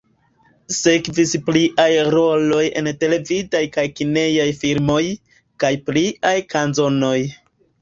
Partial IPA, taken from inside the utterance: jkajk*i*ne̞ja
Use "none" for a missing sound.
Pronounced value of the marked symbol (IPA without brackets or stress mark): i